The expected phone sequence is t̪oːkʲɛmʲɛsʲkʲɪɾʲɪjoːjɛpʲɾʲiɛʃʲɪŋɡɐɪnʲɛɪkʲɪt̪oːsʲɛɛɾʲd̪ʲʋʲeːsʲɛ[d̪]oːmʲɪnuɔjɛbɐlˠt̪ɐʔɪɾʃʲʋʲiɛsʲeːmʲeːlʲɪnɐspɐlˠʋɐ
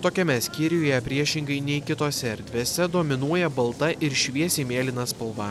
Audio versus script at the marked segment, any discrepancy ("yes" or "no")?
no